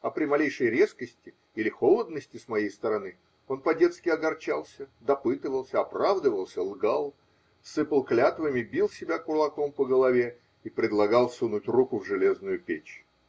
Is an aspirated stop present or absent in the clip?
absent